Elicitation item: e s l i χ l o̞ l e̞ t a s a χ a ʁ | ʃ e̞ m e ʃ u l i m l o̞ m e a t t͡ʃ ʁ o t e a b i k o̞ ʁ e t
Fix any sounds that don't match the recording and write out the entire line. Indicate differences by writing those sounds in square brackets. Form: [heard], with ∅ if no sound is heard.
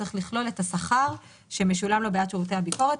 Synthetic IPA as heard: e [χ] l i χ l o̞ l e̞ t a s a χ a ʁ | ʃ e̞ m e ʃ u l [a] m l o̞ [b] e a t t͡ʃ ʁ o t e a b i k o̞ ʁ e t

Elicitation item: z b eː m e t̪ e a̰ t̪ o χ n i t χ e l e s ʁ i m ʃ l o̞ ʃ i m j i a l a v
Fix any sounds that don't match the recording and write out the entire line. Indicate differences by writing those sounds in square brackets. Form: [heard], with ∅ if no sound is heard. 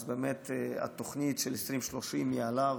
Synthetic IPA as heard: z b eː m e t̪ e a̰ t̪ o χ n i t [ʃ] e l e s ʁ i m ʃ l o̞ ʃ i m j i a l a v

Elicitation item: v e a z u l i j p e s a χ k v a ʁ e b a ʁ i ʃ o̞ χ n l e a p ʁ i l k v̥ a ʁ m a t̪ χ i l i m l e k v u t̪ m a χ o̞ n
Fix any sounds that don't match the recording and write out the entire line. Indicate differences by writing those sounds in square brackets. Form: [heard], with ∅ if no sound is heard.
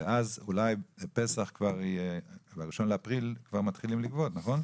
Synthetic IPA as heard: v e a z u l [a] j p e s a χ k v a ʁ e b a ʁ i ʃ o̞ [∅] n l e a p ʁ i l k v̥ a ʁ m a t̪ χ i l i m l [i] k v [o] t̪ [n] a χ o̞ n

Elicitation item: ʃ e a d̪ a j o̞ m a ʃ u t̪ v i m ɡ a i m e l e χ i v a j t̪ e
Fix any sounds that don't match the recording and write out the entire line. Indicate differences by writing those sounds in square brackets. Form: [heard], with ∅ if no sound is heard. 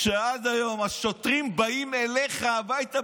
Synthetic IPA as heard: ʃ e a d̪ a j o̞ m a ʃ [o] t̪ [ʁ] i m [b] a i m e l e χ [a] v a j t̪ [a]

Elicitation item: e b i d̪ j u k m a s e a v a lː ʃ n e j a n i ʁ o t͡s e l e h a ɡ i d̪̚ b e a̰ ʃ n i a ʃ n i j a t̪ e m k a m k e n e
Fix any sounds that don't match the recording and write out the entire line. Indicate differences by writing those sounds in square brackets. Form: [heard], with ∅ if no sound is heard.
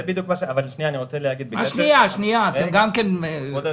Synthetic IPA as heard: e b i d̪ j u k m a [ʃ] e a v a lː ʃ n [i] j a n i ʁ o t͡s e l e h a ɡ i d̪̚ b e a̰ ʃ n i a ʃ n i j a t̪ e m [ɡ] a m k e n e

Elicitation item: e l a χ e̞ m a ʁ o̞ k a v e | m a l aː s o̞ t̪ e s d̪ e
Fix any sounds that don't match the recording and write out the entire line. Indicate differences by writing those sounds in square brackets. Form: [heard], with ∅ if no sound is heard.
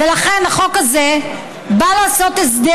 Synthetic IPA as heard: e l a χ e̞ [n] a [χ] o̞ k a [z] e | [b] a l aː s o̞ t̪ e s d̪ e

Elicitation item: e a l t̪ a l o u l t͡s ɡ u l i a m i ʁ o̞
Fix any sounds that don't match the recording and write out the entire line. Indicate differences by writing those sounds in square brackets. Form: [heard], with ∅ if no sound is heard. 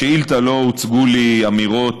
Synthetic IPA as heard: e [i] l t̪ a l o u [∅] t͡s ɡ u l i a m i ʁ o̞

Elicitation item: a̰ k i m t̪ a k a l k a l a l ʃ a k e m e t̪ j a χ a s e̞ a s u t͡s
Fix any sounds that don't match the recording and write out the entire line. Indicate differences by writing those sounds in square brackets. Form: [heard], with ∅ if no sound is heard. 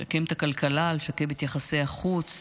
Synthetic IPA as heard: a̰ k [e] m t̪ a k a l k a l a l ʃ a k e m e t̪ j a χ a s e̞ a [χ] u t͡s

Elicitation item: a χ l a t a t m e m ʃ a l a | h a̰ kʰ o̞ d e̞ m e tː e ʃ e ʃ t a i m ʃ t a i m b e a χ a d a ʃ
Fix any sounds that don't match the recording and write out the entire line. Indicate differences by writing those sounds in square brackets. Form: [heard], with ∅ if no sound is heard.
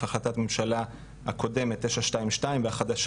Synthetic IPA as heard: a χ l a t a t m e m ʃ a l a | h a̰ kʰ o̞ d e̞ m e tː e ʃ [a] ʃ t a i m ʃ t a i m [v] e a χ a d a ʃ

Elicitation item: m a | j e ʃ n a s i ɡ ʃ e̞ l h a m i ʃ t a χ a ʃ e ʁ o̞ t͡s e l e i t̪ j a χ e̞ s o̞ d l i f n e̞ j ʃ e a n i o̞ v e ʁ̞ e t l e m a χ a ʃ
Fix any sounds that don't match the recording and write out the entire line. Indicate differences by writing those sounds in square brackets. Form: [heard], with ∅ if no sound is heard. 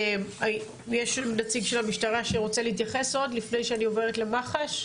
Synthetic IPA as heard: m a | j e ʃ n a [t͡s] i ɡ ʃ e̞ l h a m i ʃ t a [ʁ] a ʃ e ʁ o̞ t͡s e l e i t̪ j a χ e̞ s o̞ d l i f n e̞ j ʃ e a n i o̞ v e ʁ̞ e t l e m a χ a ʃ

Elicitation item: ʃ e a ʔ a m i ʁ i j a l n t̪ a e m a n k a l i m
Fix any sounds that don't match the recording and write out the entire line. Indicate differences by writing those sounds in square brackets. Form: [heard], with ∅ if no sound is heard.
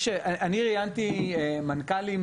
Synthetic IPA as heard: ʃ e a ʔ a [n] i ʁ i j a [∅] n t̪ [i] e m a n k a l i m

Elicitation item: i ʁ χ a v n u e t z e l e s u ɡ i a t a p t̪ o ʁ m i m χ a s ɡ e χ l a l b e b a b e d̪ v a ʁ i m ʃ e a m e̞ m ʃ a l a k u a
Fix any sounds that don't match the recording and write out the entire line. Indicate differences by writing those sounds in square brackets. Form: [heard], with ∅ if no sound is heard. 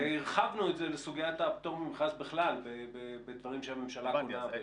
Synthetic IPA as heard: i ʁ χ a v n u e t z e l e s u ɡ i a t a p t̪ o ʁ m i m χ a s [b] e χ l a l b e b [e] b e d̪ v a ʁ i m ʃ e a m e̞ m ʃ a l a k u a

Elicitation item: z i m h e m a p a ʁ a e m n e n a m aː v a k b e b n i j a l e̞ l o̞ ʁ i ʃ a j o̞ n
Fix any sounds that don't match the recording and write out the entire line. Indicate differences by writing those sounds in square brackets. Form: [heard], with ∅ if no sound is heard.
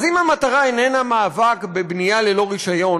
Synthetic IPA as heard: z i m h [a] m a [t] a ʁ a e [∅] n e n a m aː v a k b e b n i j a l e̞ l o̞ ʁ i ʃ a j o̞ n

